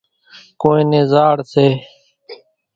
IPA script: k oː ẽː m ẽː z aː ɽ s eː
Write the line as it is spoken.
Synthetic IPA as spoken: k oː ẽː n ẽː z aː ɽ s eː

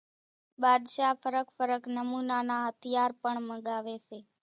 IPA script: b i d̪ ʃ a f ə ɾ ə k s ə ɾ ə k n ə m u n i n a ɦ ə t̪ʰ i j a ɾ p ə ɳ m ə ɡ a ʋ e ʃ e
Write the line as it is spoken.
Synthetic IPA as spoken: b a d̪ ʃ a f ə ɾ ə k f ə ɾ ə k n ə m u n a n a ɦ ə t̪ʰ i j a ɾ p ə ɳ m ə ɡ a ʋ e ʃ e

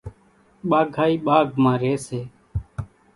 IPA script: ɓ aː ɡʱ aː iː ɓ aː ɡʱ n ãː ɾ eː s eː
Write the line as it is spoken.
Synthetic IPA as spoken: ɓ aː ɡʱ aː iː ɓ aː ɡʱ m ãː ɾ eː s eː

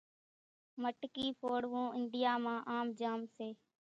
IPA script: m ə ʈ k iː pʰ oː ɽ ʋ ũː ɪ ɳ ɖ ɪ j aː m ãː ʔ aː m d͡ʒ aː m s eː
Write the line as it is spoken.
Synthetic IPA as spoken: m ə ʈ k iː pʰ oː ɽ ʋ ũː ɪ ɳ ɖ ɪ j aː m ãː ʔ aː m d͡ʒ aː m s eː

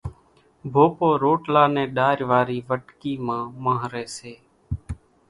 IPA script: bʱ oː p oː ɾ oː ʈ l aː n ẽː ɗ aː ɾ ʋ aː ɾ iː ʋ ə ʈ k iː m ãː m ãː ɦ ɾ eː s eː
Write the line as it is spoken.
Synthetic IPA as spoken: bʱ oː p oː ɾ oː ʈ l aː n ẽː ɗ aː ɾ ʋ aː ɾ iː ʋ ə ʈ k iː m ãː m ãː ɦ ɾ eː s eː

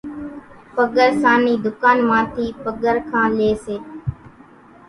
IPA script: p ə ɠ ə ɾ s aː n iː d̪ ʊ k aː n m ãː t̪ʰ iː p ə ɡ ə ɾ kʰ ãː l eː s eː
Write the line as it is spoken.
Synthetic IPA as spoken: p ə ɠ ə ɾ s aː n iː d̪ ʊ k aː n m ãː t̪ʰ iː p ə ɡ ə ɾ kʰ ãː l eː s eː

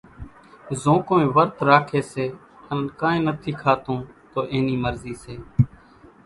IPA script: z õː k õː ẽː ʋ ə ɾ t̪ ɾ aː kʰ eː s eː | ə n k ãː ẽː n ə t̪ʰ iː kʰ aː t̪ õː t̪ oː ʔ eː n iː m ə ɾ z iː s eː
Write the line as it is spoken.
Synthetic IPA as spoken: z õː k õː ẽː ʋ ə ɾ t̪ ɾ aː kʰ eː s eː | ə n k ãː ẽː n ə t̪ʰ iː kʰ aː t̪ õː t̪ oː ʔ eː n iː m ə ɾ z iː s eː

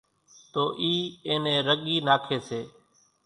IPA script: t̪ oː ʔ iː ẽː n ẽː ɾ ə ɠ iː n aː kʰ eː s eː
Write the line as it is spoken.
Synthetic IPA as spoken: t̪ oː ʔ iː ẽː n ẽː ɾ ə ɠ iː n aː kʰ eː s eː

